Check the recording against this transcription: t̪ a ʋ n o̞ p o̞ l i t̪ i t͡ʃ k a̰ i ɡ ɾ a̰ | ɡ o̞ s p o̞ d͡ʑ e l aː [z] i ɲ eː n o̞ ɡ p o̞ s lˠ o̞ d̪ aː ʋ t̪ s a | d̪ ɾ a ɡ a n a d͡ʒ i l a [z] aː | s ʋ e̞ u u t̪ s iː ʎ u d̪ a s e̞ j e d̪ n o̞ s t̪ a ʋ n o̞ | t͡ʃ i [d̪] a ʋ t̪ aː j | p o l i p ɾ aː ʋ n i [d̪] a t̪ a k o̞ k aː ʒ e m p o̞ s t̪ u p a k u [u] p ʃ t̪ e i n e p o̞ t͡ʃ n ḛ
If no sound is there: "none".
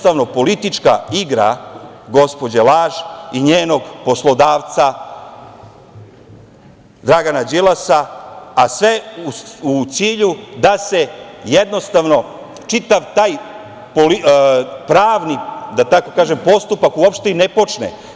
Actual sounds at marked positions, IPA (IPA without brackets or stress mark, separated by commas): ʒ, s, t̪, d̪, o